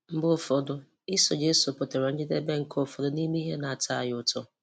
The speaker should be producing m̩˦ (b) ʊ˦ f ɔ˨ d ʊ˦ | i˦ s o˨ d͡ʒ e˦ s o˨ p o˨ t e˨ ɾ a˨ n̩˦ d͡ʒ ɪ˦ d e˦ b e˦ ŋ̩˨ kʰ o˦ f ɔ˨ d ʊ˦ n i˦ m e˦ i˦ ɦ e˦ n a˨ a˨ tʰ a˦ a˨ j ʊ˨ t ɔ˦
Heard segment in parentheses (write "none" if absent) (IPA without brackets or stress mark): b